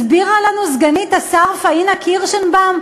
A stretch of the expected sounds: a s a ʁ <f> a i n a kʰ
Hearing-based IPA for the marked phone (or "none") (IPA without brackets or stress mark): f